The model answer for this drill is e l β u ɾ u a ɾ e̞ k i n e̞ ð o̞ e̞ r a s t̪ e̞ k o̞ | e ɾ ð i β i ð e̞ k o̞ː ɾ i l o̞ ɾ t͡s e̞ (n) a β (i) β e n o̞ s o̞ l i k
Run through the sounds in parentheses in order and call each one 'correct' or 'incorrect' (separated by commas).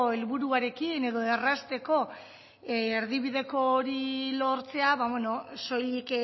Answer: incorrect, incorrect